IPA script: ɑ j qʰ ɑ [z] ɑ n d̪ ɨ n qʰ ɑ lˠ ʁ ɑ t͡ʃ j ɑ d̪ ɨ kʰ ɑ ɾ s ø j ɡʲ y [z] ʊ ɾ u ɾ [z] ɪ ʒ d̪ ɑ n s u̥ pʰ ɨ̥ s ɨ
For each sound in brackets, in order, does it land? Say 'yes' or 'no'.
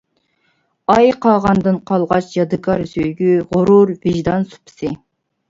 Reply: no, no, no

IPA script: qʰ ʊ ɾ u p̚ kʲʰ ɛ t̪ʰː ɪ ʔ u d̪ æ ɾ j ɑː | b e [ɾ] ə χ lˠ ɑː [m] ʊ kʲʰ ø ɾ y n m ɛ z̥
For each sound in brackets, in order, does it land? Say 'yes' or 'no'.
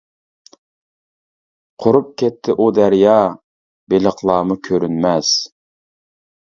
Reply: no, yes

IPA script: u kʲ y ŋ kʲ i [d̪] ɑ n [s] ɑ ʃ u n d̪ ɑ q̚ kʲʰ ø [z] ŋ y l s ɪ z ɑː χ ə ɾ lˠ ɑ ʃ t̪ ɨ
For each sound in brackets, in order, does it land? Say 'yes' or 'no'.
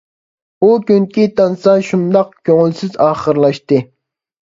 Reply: no, yes, no

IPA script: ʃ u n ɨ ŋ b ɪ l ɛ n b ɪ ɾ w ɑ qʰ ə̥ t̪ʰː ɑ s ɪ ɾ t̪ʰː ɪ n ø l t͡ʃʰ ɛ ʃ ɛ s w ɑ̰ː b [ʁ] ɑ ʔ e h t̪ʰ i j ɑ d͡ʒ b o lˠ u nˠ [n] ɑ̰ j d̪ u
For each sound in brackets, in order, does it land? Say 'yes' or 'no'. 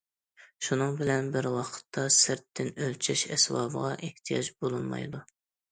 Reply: yes, no

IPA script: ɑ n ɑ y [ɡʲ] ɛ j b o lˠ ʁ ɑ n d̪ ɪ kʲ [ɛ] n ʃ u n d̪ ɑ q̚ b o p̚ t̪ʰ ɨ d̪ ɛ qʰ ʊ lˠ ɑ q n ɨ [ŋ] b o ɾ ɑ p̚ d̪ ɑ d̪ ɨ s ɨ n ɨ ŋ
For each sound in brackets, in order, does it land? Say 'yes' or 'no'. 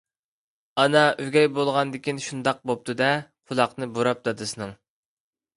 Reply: yes, no, no

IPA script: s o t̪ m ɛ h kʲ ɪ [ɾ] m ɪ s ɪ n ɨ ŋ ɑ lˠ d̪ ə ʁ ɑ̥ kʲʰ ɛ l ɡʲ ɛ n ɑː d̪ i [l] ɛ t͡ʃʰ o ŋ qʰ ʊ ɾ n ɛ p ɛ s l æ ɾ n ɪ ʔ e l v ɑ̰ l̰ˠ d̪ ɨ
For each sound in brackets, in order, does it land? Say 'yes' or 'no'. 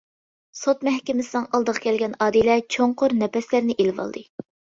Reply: no, yes

